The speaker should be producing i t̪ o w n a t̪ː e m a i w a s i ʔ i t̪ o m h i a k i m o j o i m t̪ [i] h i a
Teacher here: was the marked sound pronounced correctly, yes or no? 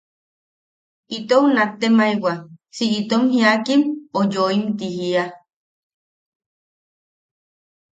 yes